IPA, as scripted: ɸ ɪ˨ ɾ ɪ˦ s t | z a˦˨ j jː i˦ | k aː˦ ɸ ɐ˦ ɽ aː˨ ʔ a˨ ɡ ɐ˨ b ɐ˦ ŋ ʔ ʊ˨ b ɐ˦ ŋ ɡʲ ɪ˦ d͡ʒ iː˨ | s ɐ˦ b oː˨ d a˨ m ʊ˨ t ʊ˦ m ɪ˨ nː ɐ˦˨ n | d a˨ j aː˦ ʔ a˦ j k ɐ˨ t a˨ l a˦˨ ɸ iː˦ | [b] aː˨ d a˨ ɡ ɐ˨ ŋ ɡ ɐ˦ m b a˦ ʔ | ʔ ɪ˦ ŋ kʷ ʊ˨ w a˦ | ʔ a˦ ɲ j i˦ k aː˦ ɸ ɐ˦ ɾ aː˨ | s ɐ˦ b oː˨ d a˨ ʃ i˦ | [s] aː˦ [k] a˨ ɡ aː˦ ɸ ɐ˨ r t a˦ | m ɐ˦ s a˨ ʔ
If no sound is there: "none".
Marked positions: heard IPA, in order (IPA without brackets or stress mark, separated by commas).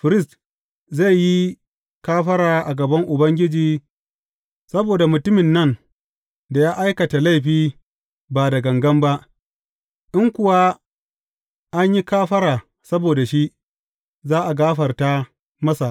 b, z, ʔ